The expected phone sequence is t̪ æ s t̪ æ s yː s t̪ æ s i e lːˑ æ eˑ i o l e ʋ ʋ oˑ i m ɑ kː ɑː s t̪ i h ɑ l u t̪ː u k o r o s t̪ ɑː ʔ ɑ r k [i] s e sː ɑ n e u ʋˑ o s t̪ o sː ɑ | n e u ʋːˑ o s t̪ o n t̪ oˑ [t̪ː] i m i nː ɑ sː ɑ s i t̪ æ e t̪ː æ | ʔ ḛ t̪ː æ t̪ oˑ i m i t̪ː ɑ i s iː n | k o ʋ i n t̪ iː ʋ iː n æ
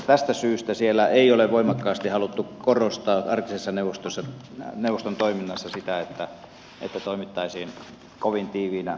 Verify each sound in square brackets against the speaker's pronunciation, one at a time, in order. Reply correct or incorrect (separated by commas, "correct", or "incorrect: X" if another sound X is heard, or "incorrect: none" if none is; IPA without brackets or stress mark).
correct, incorrect: none